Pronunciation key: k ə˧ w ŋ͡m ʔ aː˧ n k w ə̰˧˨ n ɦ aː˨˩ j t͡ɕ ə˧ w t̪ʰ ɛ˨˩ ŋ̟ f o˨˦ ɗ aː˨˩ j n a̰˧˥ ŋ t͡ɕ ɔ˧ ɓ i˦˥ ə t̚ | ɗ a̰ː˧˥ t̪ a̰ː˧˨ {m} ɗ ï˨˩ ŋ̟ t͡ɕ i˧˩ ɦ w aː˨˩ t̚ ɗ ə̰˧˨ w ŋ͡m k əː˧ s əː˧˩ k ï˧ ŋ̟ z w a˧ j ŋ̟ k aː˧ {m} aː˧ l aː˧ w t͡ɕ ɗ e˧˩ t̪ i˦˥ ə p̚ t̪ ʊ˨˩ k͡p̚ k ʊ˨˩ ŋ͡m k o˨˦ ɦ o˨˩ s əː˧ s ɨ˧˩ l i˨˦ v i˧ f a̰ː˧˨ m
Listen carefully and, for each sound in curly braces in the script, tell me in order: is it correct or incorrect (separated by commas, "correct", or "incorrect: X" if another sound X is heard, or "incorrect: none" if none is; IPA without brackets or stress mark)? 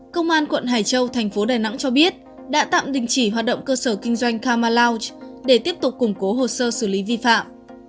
correct, correct